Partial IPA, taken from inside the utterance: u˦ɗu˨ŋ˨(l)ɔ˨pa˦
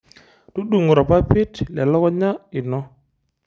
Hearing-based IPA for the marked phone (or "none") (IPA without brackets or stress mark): ɾ